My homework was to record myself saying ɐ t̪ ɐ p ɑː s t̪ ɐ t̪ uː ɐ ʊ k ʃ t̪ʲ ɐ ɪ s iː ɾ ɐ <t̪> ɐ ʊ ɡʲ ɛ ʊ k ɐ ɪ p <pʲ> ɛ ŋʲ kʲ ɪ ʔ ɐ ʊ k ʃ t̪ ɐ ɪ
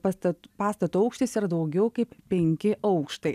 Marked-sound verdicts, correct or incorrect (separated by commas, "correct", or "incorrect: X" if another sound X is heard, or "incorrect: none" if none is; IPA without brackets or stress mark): incorrect: d̪, correct